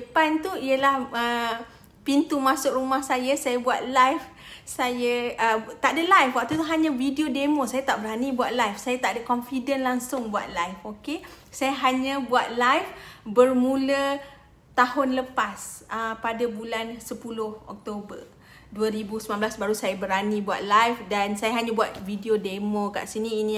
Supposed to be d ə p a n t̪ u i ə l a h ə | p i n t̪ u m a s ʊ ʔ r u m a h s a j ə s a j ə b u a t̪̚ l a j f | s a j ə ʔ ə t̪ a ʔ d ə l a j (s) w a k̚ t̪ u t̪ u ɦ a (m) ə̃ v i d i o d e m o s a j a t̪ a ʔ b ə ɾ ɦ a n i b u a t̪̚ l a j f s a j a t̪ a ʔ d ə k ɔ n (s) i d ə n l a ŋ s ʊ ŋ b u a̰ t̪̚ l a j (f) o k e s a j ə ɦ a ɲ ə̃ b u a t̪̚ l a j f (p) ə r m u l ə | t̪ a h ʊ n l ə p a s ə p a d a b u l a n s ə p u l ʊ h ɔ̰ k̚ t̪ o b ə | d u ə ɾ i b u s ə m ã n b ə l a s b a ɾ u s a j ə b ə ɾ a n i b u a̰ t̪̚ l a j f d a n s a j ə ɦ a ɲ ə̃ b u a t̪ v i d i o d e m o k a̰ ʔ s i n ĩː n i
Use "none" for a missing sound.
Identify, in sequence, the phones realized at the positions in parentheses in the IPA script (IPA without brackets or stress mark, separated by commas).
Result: f, ɲ, f, f, b